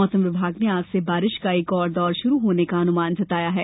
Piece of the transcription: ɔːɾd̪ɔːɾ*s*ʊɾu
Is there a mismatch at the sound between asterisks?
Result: yes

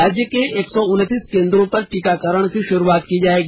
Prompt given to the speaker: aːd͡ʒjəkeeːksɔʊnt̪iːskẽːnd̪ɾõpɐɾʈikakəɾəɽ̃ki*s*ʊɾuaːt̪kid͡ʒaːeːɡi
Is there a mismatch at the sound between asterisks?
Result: yes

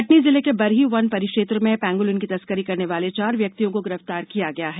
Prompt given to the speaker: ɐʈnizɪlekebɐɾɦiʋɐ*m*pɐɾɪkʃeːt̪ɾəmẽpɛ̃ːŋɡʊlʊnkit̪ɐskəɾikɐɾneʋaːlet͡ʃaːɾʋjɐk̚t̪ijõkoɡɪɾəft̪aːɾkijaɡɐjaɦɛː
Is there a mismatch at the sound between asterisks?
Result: yes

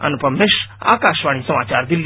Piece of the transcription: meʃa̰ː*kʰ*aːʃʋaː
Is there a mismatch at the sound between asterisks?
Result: yes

